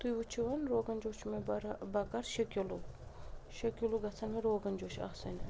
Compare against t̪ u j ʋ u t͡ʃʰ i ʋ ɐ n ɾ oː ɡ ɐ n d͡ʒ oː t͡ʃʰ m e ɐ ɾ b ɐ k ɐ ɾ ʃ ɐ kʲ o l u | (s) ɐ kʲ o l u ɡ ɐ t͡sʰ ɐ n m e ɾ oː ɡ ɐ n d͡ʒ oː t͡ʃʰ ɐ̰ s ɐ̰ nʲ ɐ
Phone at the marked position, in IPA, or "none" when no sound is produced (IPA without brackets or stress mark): ʃ